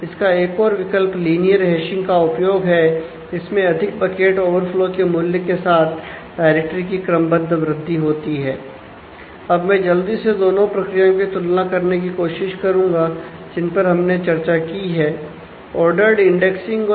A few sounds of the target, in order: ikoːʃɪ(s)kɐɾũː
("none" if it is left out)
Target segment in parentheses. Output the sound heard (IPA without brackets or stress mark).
ʃ